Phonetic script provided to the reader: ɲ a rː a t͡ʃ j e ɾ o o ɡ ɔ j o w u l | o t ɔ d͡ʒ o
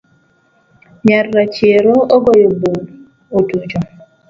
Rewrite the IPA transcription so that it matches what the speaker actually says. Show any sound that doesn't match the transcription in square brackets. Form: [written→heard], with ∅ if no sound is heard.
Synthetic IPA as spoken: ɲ a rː a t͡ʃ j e ɾ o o ɡ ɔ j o [w→b] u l | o t [ɔ→u] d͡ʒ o